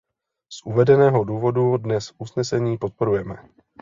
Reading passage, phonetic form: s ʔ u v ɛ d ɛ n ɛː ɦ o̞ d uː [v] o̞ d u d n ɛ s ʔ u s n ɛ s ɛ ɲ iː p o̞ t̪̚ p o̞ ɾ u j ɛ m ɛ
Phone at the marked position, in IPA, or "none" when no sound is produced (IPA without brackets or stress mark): v